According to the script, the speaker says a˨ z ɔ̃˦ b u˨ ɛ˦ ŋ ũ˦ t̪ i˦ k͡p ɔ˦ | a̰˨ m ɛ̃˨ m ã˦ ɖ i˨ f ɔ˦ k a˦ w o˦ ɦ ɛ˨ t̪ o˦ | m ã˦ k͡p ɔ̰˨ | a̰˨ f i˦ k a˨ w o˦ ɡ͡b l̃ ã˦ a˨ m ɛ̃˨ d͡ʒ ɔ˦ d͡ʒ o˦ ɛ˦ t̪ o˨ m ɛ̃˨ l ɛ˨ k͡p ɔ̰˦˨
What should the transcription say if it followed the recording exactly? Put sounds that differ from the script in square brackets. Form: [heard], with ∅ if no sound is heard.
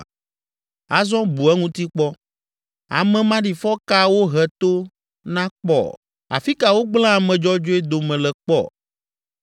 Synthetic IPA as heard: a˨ z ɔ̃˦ b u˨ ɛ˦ ŋ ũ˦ t̪ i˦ k͡p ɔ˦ | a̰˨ m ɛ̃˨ m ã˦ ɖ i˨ f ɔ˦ k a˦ w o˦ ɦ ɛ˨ t̪ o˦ | [n] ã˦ k͡p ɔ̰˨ | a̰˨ f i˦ k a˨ w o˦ ɡ͡b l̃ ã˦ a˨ m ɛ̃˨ d͡ʒ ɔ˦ d͡ʒ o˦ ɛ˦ [d̪] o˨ m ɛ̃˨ l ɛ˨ k͡p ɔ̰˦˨